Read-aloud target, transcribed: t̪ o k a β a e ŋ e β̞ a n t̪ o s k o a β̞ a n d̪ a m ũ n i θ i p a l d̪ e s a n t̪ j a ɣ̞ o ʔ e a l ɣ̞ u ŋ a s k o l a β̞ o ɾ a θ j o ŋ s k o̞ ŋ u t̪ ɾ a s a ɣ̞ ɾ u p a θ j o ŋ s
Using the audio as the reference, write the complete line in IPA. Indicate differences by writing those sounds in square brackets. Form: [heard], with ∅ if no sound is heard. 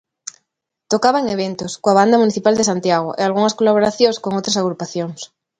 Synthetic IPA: t̪ o k a β a e ŋ e β̞ [e] n t̪ o s k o a β̞ a n d̪ a m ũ n i θ i p a l d̪ e s a n t̪ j a ɣ̞ o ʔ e a l ɣ̞ u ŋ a s k o l a β̞ o ɾ a θ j o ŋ s k o̞ ŋ [o] t̪ ɾ a s a ɣ̞ ɾ u p a θ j o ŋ s